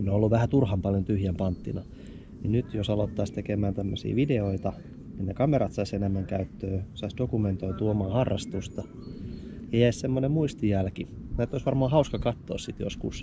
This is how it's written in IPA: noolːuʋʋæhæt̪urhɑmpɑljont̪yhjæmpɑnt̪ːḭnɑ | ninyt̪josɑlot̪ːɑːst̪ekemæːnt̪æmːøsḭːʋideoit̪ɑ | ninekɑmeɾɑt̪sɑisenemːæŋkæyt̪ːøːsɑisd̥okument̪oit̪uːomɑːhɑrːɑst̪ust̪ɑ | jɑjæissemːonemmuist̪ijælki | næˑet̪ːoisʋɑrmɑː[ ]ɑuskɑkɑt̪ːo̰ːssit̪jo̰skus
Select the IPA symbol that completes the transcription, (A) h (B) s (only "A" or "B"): A